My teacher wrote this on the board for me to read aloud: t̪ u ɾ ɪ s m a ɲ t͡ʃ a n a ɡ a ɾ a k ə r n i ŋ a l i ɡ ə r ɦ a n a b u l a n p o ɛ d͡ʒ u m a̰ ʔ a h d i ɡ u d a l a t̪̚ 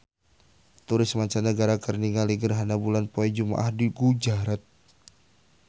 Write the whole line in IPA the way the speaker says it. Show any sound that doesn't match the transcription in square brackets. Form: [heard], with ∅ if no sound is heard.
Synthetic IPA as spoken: t̪ u ɾ ɪ s m a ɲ t͡ʃ a n [ə] ɡ a ɾ a k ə r n i ŋ a l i ɡ ə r ɦ a n a b u l a n p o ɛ d͡ʒ u m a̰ ʔ a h d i ɡ u [d͡ʒ] a [ɾ] a t̪̚